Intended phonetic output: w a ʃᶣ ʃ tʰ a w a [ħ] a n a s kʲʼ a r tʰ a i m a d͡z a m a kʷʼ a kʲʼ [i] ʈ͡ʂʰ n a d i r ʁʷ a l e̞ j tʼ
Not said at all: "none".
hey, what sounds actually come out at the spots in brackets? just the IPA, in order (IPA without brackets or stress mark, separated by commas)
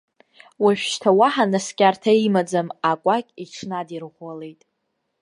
ħ, i